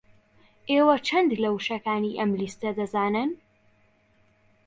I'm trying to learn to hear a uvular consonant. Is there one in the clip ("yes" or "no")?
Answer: no